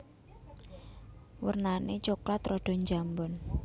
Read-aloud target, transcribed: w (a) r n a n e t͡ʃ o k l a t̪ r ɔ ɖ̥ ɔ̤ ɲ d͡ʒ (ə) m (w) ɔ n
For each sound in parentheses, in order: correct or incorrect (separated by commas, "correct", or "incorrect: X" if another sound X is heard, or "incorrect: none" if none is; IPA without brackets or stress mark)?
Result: incorrect: ə, incorrect: a, incorrect: b